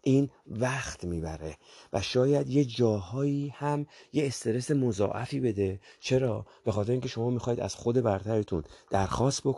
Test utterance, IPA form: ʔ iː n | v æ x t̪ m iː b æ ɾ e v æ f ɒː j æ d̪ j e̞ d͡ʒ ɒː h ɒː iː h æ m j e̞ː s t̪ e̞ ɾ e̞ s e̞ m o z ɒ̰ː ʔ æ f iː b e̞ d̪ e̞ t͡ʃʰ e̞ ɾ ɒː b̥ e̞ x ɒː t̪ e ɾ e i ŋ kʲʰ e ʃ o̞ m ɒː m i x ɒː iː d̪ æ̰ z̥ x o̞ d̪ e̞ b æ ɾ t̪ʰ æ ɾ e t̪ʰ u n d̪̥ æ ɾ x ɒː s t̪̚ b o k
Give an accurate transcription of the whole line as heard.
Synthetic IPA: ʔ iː n | v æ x t̪ m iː b æ ɾ e v æ ʃ ɒː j æ d̪ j e̞ d͡ʒ ɒː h ɒː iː h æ m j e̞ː s t̪ e̞ ɾ e̞ s e̞ m o z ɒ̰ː ʔ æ f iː b e̞ d̪ e̞ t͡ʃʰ e̞ ɾ ɒː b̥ e̞ x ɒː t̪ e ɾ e i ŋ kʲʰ e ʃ o̞ m ɒː m i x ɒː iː d̪ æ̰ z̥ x o̞ d̪ e̞ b æ ɾ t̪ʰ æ ɾ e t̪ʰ u n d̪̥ æ ɾ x ɒː s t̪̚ b o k